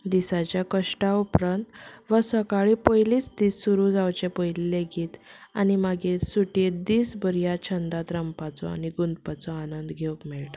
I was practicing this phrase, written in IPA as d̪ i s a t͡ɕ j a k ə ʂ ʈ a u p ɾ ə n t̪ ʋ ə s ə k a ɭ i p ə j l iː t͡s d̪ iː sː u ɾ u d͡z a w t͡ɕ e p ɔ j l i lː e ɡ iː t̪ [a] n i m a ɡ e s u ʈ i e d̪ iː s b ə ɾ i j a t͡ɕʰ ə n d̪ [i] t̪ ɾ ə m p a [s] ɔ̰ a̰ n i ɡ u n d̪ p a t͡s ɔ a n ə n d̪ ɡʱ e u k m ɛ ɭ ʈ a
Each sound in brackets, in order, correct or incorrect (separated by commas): correct, incorrect, incorrect